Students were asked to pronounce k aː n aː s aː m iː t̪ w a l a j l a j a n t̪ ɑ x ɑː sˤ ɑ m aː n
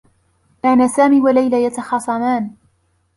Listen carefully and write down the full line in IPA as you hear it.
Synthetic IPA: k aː n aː s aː m iː w a l a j l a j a t̪ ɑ x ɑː sˤ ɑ m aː n